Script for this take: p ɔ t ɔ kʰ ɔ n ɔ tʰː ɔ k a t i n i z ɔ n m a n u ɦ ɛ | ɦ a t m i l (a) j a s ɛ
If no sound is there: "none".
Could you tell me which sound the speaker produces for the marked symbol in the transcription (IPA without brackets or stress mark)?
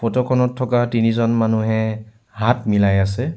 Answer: a